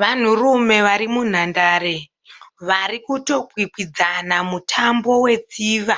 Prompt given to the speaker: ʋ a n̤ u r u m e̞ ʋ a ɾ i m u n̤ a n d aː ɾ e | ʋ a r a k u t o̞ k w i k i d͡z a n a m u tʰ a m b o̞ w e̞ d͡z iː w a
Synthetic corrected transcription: ʋ a n̤ u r u m e̞ ʋ a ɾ i m u n̤ a n d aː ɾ e | ʋ a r i k u t o̞ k w i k i d͡z a n a m u tʰ a m b o̞ w e̞ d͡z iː ʋ a